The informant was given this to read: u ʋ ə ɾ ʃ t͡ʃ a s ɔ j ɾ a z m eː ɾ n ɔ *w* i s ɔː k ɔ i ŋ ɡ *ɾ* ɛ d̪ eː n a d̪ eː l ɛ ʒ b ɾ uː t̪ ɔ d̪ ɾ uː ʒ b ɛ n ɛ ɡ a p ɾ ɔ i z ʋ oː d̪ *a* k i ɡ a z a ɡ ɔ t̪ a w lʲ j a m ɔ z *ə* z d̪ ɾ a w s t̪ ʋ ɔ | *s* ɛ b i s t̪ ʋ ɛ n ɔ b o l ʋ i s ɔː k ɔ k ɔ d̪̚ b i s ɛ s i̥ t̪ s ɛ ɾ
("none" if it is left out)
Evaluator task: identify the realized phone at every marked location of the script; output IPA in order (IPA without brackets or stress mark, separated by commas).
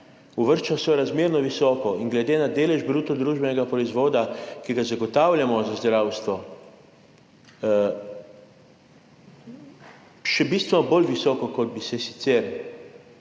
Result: ʋ, l, a, a, ʃ